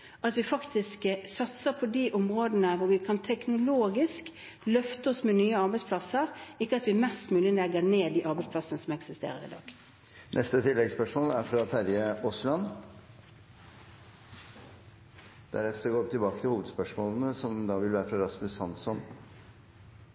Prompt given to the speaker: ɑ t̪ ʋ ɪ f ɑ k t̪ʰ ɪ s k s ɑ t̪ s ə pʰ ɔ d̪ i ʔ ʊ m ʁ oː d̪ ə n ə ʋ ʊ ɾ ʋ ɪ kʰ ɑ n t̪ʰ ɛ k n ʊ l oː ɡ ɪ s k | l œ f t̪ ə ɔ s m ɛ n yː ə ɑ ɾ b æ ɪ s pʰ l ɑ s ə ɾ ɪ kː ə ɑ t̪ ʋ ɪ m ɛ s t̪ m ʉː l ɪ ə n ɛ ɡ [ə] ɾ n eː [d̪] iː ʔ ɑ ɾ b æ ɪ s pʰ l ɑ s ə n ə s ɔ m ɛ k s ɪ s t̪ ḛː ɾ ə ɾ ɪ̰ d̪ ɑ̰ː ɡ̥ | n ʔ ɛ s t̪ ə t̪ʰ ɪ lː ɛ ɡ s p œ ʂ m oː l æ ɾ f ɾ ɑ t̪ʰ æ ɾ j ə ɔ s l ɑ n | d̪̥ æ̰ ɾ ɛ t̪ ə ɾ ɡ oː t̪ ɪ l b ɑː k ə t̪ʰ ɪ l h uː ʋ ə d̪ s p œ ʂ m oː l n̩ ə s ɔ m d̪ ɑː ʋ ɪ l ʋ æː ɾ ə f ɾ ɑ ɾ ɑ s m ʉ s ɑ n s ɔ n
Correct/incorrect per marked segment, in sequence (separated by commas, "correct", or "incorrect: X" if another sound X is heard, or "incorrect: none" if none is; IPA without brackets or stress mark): correct, correct